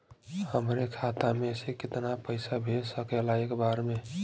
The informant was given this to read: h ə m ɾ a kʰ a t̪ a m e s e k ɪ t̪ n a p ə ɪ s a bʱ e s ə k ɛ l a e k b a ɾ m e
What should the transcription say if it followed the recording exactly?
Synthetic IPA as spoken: h ə m ɾ e kʰ a t̪ a m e s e k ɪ t̪ n a p ə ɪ s a bʱ e s ə k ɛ l a e k b a ɾ m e